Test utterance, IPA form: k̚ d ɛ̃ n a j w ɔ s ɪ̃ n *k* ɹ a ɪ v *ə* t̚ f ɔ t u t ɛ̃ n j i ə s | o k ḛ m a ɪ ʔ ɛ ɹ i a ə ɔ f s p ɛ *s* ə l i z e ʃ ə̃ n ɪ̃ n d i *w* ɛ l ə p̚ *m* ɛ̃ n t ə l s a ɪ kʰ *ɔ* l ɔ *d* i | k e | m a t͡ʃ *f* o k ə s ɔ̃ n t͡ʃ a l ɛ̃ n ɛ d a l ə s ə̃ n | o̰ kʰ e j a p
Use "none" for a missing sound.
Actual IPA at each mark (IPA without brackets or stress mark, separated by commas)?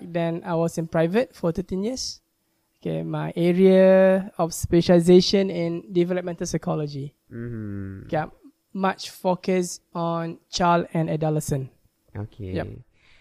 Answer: p, ə, ʃ, v, m, ɔ, d͡ʒ, f